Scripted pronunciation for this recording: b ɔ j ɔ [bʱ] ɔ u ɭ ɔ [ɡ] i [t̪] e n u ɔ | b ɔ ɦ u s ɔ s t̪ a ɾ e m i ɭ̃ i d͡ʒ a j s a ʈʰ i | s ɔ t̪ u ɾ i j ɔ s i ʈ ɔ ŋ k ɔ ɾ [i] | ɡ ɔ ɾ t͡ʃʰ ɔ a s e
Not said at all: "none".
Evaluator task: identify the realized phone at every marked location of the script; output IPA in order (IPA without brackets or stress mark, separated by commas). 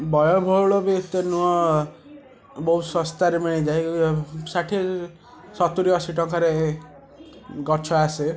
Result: bʱ, b, t̪, e